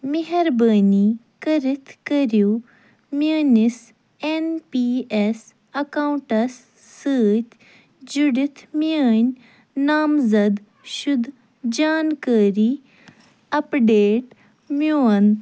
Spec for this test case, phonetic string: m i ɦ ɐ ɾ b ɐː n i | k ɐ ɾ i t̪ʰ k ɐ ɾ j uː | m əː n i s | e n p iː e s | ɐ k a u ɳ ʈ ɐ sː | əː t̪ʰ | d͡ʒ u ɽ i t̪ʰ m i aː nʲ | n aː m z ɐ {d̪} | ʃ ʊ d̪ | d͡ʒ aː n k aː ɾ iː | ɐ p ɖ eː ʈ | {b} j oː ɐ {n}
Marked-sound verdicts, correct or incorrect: correct, incorrect: m, correct

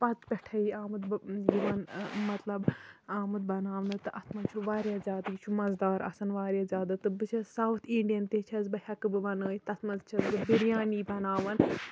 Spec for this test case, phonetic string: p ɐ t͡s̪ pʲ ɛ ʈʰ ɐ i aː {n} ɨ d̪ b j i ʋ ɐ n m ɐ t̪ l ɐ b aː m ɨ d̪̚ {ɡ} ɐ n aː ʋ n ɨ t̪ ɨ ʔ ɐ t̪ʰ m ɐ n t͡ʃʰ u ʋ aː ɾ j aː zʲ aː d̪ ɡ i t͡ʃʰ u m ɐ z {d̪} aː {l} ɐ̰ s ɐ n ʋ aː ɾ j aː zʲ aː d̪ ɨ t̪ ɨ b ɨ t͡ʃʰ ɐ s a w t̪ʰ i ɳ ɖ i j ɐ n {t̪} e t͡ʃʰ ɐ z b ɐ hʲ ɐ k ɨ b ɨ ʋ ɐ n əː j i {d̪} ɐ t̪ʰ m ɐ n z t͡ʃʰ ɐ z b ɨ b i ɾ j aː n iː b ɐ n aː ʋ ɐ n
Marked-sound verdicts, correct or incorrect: incorrect: m, incorrect: b, correct, incorrect: ɾ, correct, incorrect: t̪

